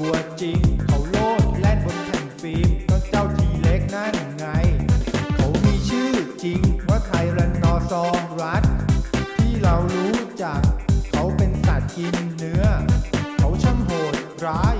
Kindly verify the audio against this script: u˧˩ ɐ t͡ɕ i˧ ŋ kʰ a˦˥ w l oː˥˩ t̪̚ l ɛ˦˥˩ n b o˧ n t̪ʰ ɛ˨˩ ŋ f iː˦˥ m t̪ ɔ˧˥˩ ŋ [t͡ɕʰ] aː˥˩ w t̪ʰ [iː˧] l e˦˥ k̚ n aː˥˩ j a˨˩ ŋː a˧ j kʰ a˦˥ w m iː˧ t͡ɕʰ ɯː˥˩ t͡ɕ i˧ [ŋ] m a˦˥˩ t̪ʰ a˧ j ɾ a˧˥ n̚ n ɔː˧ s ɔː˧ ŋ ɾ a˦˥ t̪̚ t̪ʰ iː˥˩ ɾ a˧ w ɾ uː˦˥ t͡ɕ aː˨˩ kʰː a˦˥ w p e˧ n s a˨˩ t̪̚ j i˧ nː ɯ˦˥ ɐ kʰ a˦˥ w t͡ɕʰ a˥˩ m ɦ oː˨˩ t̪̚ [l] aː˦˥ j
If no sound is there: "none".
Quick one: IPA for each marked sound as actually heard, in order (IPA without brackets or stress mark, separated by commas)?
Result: t͡ɕ, iː˧, ŋ, ɾ